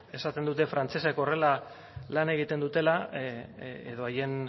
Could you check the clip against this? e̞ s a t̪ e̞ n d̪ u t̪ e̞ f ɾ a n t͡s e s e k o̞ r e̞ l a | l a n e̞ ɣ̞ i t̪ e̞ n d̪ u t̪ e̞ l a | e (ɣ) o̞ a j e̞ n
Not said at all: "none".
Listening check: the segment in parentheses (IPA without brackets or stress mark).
ð